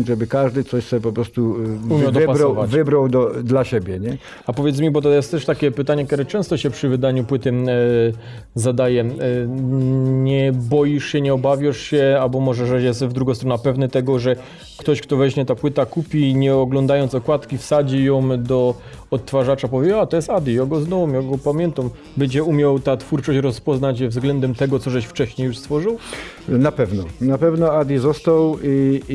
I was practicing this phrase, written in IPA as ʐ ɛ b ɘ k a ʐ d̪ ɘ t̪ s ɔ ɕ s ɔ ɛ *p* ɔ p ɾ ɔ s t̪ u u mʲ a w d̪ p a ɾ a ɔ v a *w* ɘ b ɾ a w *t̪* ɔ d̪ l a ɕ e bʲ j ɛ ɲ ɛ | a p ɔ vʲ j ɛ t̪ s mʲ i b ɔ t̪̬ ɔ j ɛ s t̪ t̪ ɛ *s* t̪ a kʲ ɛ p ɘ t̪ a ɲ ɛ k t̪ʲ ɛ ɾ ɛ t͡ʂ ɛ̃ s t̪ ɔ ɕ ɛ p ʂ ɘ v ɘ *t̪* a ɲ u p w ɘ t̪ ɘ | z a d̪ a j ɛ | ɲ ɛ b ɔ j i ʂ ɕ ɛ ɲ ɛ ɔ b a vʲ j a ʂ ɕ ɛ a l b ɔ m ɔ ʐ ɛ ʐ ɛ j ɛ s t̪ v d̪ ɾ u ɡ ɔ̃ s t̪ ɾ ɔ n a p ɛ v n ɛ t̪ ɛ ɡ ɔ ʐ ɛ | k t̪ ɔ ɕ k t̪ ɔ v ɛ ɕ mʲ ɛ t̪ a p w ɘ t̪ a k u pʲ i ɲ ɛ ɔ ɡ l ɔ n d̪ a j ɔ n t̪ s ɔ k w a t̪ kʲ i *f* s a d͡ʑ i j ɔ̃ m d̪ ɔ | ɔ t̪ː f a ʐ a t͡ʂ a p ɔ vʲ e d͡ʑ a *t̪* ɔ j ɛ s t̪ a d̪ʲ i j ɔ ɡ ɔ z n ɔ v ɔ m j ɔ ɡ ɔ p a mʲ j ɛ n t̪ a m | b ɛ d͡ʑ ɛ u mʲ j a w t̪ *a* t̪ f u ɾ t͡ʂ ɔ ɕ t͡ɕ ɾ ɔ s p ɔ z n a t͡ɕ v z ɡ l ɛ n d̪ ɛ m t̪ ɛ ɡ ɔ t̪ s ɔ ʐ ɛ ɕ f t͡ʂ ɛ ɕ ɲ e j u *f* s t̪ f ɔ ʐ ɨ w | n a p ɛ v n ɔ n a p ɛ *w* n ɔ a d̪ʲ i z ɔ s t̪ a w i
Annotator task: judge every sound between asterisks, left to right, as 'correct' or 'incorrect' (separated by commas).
correct, incorrect, incorrect, incorrect, incorrect, correct, correct, correct, incorrect, incorrect